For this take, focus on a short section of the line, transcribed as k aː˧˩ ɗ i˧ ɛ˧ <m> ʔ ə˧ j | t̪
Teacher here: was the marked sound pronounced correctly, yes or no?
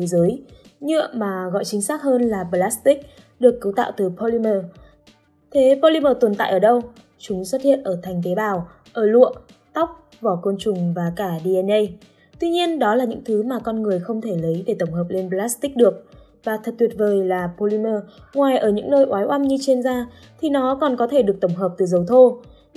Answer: no